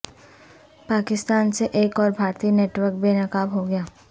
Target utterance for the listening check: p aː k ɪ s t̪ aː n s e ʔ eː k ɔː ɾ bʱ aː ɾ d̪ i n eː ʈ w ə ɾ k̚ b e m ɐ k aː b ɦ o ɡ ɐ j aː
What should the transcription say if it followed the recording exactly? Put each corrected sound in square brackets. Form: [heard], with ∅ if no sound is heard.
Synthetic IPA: p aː k ɪ s t̪ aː n s e ʔ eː k ɔː ɾ bʱ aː ɾ [t̪] i n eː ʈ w ə ɾ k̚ b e [n] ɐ k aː b ɦ o ɡ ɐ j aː